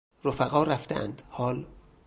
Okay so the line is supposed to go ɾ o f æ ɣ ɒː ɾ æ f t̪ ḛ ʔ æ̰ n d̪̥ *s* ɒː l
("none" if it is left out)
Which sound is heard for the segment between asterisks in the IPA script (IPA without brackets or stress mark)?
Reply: h